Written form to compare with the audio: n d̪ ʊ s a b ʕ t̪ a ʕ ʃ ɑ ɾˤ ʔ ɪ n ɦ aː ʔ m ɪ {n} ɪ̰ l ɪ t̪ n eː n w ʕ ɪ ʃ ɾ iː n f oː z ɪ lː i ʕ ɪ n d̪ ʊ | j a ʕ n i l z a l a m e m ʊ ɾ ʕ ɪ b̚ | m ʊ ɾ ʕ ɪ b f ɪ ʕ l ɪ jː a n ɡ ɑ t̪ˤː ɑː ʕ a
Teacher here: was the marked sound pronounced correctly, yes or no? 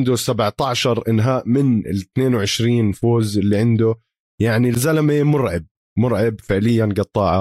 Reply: yes